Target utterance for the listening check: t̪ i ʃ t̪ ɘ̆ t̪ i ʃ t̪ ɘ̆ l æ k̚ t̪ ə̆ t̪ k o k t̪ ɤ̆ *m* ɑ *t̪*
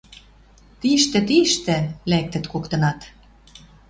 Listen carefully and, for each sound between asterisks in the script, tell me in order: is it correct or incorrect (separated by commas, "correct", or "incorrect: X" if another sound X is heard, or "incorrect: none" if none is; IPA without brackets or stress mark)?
incorrect: n, correct